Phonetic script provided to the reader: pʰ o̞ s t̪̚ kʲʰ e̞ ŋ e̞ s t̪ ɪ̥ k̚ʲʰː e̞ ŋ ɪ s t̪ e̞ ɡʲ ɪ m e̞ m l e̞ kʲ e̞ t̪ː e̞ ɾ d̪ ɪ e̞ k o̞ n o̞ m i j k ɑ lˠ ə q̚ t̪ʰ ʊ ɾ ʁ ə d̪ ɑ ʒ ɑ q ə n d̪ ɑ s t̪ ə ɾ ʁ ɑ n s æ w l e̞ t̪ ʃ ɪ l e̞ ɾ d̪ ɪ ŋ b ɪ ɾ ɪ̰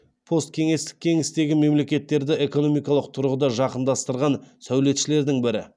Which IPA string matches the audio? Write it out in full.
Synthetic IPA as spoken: pʰ o̞ s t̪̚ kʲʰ e̞ ŋ e̞ s t̪ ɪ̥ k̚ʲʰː e̞ ŋ ɪ s t̪ e̞ ɡʲ ɪ m e̞ m l e̞ kʲ e̞ t̪ː e̞ ɾ d̪ ɪ e̞ k o̞ n o̞ m i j k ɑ lˠ ə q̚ t̪ʰ ʊ ɾ ʁ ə d̪ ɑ ʒ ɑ q ə n d̪ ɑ s t̪ ə ɾ ʁ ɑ n s æ w l e̞ t̪ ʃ ɪ l e̞ ɾ d̪ ɪ ŋ b ɪ ɾ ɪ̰